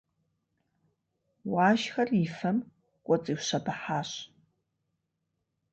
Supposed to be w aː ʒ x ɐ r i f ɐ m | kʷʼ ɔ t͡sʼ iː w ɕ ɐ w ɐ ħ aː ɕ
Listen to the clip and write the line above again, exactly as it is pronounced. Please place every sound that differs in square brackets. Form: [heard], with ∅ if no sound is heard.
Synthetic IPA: w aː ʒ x ɐ r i f ɐ m | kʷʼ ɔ t͡sʼ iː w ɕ ɐ [b] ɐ ħ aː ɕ